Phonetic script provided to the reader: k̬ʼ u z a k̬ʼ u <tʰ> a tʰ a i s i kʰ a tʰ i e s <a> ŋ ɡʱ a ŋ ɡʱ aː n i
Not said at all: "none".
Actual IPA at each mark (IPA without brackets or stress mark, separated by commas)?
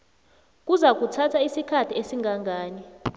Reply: tʰ, i